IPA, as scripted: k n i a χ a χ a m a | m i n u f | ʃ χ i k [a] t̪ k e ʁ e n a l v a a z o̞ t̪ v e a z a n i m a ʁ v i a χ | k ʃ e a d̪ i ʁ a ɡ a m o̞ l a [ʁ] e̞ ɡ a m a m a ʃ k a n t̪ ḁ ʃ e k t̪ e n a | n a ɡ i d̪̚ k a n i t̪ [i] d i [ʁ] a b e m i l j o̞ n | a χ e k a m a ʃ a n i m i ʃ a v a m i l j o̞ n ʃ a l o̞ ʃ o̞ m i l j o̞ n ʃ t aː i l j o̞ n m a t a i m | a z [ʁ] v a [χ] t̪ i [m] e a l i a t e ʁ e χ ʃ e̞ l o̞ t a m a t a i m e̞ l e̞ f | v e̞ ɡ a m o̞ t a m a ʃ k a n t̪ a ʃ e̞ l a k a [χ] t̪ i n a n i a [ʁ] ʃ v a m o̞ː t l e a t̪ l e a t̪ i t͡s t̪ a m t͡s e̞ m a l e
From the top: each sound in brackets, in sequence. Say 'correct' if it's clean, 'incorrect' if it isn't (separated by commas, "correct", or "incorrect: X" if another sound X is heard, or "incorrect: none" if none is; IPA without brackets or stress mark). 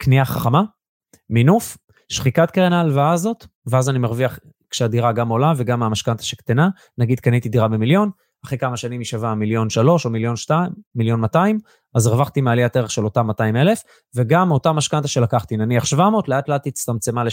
correct, incorrect: v, correct, correct, correct, correct, correct, correct, incorrect: χ